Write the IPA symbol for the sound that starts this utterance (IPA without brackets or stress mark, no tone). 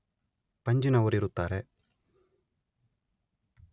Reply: p